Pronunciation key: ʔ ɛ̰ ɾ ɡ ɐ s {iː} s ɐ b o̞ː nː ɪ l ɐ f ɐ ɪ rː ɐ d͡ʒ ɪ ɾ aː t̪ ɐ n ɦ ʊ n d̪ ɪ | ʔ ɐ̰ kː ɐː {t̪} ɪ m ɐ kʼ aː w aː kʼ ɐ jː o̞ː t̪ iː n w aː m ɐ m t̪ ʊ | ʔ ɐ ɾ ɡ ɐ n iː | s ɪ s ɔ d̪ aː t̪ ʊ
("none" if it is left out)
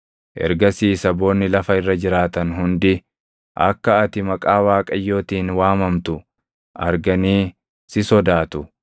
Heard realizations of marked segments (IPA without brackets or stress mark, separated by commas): iː, t̪